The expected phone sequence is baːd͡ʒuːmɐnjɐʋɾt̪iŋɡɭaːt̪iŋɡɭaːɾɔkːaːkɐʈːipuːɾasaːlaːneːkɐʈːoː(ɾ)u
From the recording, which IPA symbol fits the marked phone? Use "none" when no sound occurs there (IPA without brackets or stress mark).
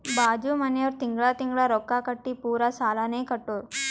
ɾ